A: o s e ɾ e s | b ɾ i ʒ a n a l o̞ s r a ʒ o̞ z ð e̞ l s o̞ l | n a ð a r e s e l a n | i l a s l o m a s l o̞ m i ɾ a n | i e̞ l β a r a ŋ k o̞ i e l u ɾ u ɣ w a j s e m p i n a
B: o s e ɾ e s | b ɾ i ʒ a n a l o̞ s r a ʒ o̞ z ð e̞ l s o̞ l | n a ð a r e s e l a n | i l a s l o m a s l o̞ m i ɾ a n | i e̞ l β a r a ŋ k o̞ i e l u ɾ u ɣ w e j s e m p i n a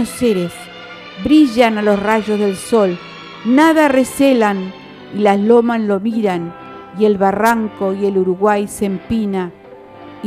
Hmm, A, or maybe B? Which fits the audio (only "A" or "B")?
A